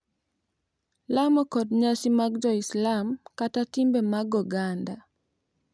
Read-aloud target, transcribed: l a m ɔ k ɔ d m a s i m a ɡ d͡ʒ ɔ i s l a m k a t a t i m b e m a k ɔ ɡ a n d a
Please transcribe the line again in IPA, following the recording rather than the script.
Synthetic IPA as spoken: l a m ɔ k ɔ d ɲ a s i m a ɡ d͡ʒ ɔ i s l a m k a t a t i m b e m a ɡ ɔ ɡ a n d a